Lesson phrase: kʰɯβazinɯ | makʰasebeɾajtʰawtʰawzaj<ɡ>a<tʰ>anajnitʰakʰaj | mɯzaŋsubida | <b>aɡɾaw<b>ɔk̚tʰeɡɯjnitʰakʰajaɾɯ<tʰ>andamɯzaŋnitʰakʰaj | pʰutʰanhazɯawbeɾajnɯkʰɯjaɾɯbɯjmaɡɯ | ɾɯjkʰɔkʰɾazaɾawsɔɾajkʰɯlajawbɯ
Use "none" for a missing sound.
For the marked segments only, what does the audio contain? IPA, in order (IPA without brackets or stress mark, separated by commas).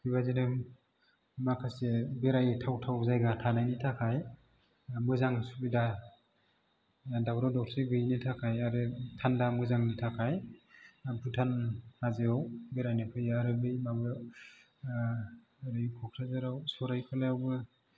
ɡ, tʰ, d, d, tʰ